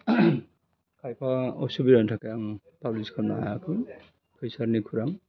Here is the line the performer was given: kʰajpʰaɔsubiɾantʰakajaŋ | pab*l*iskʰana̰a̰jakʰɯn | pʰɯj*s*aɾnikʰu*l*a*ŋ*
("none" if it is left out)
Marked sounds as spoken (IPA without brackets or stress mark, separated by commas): l, s, ɾ, ŋ